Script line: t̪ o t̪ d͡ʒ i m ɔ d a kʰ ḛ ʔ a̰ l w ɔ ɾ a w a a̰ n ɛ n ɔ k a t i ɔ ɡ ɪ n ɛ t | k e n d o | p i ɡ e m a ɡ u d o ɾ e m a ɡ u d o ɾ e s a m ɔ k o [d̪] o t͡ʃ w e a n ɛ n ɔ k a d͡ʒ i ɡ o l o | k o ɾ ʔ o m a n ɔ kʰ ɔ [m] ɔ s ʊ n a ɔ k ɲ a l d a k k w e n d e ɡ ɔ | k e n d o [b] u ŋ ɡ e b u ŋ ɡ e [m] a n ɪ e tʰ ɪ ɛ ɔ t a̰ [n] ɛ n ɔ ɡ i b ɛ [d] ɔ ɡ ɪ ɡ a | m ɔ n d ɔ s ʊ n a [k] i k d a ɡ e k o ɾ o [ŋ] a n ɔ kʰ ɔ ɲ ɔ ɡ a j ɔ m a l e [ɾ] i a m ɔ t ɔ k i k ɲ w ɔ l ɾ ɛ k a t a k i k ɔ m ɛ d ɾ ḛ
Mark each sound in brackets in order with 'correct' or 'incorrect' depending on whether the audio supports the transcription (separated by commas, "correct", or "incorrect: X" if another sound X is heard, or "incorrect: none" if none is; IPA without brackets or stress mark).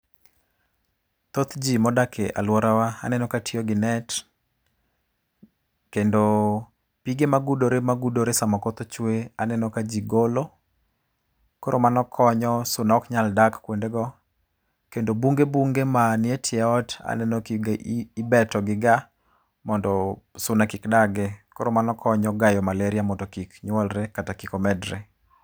incorrect: t̪, incorrect: ɲ, correct, correct, correct, incorrect: t, correct, incorrect: m, correct